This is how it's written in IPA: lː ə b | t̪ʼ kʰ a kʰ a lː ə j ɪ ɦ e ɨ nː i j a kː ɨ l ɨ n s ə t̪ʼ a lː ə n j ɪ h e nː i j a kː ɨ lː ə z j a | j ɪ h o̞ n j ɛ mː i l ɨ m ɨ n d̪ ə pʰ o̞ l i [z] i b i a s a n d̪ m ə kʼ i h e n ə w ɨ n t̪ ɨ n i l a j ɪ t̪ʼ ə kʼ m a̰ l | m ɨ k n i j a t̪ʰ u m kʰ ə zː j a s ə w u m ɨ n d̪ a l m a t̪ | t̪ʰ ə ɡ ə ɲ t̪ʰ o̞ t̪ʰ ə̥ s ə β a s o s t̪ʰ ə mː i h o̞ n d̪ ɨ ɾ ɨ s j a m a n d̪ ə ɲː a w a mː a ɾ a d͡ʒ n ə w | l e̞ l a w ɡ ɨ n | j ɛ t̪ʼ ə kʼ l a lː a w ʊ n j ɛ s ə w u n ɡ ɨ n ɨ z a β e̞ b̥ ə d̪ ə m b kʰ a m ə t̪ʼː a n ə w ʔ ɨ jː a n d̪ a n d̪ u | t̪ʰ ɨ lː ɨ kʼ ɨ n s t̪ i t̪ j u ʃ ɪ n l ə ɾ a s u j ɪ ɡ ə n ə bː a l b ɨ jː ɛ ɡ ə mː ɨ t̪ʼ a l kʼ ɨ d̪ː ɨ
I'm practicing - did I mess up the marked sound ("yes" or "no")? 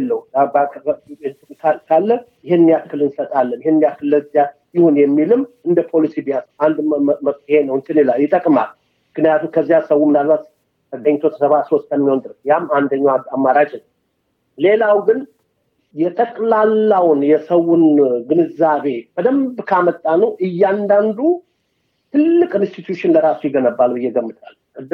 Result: yes